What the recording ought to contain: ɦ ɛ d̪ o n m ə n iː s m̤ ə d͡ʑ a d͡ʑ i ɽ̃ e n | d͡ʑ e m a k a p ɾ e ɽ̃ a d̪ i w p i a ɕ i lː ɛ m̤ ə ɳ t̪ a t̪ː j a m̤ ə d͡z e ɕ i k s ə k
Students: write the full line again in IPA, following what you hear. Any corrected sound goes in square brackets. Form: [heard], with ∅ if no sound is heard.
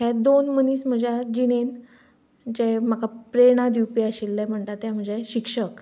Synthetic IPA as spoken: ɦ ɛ d̪ o n m ə n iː s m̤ ə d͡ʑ a d͡ʑ i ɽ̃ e n | d͡ʑ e m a k a p ɾ e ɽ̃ a d̪ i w p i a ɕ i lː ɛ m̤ ə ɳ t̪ a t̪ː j a m̤ ə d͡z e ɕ i k [ʂ] ə k